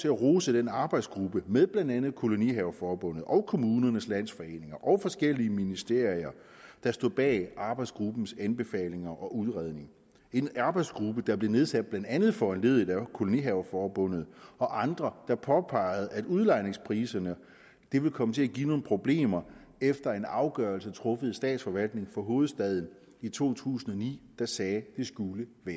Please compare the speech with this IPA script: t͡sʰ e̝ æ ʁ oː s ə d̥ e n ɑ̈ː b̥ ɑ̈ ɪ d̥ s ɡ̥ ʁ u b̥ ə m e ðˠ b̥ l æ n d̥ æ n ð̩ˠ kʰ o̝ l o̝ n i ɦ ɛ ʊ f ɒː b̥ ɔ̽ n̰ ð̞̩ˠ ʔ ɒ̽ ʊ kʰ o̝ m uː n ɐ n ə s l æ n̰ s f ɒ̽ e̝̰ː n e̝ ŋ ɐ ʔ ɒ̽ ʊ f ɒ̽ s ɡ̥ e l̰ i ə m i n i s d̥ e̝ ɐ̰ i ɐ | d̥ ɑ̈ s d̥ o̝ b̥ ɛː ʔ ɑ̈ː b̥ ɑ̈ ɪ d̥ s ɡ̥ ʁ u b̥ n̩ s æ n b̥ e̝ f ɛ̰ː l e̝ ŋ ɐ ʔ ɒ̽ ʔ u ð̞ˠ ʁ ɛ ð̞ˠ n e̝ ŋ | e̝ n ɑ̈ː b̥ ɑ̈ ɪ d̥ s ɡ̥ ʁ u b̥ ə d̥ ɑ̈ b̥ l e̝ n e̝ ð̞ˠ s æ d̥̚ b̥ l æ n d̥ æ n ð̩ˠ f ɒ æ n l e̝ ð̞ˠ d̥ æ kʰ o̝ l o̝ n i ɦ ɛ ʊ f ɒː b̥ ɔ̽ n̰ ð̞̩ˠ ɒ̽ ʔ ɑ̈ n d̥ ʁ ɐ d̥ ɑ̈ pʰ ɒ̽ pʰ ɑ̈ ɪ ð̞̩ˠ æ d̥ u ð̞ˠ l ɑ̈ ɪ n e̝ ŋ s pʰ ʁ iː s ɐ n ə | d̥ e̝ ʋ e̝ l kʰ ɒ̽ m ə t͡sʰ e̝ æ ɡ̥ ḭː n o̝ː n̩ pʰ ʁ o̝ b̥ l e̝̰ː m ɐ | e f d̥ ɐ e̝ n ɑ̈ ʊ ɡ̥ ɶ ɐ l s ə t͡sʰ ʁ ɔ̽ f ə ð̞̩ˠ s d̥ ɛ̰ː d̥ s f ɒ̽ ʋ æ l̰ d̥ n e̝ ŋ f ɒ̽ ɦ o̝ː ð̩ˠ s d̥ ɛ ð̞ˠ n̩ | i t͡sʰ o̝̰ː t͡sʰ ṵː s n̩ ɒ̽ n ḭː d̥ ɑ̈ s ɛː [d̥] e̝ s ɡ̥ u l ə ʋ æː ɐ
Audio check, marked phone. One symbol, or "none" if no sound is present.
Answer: d̥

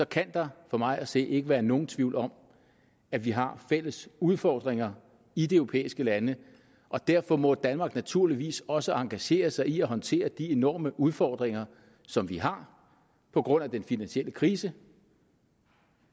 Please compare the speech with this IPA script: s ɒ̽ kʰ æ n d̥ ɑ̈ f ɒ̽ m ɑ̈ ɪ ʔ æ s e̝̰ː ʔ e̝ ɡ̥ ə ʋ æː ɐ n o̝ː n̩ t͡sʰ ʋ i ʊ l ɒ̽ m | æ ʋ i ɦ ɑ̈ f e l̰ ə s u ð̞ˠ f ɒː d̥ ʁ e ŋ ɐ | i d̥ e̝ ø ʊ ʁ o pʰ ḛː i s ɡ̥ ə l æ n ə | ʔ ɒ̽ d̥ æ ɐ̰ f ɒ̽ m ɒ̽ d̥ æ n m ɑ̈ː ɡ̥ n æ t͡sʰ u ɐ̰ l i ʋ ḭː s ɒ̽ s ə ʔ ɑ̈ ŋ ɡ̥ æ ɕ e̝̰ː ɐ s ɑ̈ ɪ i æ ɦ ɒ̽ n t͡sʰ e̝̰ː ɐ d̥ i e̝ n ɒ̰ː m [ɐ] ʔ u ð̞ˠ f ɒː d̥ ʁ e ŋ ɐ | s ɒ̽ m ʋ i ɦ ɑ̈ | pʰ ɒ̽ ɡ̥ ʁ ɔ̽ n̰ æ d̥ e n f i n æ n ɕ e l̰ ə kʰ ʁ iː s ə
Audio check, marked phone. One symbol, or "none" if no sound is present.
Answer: ə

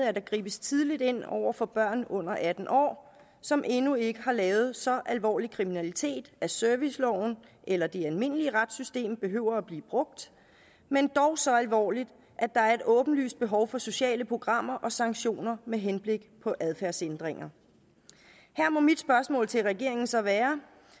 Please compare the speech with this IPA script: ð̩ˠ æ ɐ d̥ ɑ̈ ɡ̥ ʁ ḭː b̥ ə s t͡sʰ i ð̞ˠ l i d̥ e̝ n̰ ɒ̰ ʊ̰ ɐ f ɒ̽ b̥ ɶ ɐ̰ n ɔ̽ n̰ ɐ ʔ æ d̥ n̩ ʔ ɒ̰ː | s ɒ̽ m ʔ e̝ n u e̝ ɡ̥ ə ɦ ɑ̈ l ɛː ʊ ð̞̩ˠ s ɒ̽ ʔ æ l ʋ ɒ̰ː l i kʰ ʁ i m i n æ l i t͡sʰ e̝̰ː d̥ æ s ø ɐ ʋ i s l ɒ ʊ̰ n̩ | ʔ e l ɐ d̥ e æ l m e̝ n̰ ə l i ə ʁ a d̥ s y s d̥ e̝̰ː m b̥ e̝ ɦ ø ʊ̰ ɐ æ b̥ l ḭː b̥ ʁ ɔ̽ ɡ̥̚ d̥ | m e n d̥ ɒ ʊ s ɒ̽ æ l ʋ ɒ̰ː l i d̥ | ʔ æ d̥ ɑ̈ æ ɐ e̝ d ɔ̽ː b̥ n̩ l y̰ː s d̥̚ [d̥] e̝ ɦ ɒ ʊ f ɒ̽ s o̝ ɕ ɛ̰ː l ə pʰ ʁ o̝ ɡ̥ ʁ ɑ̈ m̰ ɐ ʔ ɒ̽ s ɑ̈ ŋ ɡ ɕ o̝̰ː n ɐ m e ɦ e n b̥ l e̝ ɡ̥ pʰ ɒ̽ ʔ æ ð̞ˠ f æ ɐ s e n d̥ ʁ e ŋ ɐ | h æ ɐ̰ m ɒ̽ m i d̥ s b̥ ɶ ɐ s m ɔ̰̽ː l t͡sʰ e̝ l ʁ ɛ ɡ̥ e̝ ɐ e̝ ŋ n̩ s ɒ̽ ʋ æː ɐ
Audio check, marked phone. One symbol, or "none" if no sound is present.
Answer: b̥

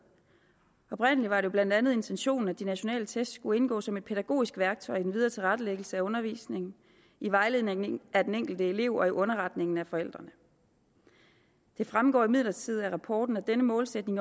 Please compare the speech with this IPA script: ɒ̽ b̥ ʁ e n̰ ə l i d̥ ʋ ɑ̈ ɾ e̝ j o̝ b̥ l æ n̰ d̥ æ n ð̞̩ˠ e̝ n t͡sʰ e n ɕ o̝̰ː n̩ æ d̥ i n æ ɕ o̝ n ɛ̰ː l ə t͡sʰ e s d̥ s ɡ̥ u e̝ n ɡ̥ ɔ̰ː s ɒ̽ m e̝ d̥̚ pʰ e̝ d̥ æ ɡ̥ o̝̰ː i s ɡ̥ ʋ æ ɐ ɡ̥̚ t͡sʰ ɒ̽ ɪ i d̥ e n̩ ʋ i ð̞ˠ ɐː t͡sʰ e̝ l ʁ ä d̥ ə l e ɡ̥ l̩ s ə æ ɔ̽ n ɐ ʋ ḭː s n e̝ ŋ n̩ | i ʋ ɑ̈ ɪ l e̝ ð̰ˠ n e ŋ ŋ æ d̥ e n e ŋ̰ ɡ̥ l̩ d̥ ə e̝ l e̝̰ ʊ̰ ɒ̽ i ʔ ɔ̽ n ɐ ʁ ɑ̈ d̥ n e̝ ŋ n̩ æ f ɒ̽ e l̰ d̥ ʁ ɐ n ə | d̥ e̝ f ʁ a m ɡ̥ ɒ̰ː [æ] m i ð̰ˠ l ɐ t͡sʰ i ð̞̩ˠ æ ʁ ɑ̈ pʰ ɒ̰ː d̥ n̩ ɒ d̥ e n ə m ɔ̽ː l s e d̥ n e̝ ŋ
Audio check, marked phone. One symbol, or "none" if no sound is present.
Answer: i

